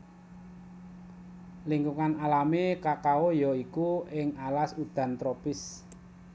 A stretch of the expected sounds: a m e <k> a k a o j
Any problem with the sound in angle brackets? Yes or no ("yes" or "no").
no